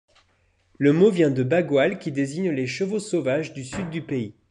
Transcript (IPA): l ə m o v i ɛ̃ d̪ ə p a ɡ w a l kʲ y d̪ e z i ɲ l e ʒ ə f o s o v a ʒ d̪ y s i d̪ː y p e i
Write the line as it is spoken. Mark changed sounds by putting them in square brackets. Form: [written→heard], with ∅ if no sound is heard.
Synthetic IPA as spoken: l ə m o v [i→j] ɛ̃ d̪ ə [p→b] a ɡ w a l kʲ [y→i] d̪ e z i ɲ l e [ʒ→ʃ] ə [f→v] o s o v a ʒ d̪ y s [i→y] d̪ː y p e i